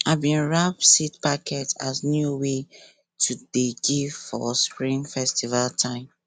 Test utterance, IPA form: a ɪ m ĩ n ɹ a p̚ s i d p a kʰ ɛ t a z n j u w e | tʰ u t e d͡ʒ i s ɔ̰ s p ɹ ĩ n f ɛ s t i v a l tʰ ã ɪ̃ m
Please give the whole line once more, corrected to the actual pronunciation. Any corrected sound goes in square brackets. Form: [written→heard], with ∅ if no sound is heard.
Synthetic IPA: a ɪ [m→b] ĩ n ɹ a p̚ s i [d→t] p a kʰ ɛ t a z n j u w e | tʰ u [t→d] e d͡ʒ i [s→f] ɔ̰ s p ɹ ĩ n f ɛ s t i v a l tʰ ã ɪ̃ m